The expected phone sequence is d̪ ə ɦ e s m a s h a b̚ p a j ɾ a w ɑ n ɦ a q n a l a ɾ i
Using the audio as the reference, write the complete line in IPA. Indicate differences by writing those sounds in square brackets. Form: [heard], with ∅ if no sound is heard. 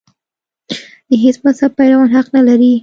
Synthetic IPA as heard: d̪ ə ɦ e s m a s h a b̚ p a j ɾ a w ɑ n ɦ a q n a l a ɾ i